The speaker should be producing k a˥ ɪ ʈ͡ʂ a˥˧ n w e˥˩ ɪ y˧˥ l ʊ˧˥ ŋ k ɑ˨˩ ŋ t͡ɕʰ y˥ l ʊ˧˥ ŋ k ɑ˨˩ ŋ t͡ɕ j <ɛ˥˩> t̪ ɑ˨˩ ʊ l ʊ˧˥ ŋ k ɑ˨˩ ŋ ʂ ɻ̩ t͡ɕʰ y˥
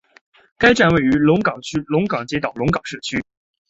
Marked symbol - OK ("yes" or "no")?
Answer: no